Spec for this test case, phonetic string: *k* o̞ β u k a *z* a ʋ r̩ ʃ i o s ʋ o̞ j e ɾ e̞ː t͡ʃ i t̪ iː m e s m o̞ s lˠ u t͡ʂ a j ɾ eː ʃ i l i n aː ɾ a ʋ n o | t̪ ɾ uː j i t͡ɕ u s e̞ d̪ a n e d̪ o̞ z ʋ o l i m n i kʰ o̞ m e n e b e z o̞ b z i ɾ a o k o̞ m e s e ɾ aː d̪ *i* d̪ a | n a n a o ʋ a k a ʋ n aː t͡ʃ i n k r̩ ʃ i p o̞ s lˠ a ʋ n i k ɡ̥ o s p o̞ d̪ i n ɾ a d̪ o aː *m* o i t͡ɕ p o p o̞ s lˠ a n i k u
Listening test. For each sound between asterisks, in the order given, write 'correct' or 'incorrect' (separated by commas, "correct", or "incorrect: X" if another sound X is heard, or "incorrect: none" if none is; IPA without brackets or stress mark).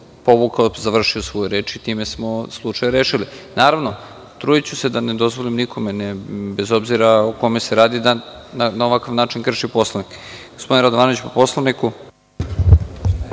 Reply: incorrect: p, correct, correct, incorrect: n